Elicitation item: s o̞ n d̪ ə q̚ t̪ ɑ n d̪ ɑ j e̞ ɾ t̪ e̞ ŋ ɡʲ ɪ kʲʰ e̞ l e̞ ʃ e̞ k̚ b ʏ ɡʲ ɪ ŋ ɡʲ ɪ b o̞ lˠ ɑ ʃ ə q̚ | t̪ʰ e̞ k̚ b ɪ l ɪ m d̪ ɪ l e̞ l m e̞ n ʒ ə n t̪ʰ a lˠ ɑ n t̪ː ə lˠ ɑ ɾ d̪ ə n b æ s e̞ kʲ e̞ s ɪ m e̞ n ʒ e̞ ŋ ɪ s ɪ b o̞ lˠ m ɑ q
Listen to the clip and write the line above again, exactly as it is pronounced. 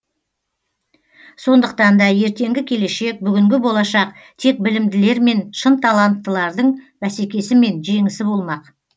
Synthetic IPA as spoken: s o̞ n d̪ ə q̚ t̪ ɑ n d̪ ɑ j e̞ ɾ t̪ e̞ ŋ ɡʲ ɪ kʲʰ e̞ l e̞ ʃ e̞ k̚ b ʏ ɡʲ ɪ ŋ ɡʲ ɪ b o̞ lˠ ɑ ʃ ɑ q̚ | t̪ʰ e̞ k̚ b ɪ l ɪ m d̪ ɪ l e̞ ɾ m e̞ n ʃ ə n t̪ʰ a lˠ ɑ n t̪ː ə lˠ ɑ ɾ d̪ ə ɴ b æ s e̞ kʲ e̞ s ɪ m e̞ n ʒ e̞ ŋ ɪ s ɪ b o̞ lˠ m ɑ q